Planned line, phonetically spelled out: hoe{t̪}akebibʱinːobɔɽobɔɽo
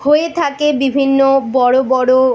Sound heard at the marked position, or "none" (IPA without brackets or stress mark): t̪ʰ